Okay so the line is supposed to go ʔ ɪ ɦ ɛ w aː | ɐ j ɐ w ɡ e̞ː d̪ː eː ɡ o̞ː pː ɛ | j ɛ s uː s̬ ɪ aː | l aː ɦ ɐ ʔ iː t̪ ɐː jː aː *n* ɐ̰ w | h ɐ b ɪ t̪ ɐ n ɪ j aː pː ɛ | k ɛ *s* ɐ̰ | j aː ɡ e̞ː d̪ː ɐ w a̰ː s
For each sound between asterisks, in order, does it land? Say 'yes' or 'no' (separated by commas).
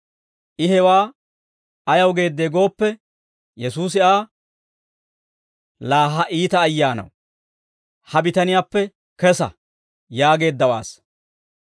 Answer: yes, yes